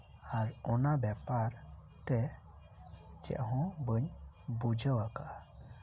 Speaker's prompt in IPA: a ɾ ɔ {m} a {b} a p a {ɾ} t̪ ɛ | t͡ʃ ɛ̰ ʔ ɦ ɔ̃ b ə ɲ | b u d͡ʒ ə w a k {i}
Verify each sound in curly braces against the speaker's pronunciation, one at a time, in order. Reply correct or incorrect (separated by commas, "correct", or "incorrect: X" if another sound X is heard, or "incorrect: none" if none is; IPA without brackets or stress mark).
incorrect: n, correct, correct, incorrect: a